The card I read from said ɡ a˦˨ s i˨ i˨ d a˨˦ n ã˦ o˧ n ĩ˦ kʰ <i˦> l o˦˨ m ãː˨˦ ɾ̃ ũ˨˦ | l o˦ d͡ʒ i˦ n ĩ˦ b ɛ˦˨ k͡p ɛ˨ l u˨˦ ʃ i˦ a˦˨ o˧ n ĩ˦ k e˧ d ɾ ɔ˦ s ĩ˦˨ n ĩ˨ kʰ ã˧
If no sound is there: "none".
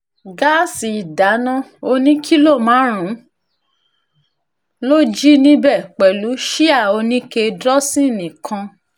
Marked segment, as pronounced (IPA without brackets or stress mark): i˦